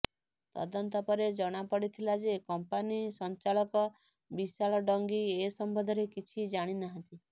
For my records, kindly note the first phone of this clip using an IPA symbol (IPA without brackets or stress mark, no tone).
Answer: t̪